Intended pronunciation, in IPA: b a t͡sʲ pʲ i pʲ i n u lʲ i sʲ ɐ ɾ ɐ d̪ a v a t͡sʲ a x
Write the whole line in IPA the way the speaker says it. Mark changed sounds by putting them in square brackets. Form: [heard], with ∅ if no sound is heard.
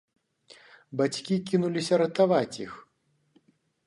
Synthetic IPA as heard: b a t͡sʲ [kʲ] i [kʲ] i n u lʲ i sʲ ɐ ɾ ɐ [t̪] a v a t͡sʲ [i] x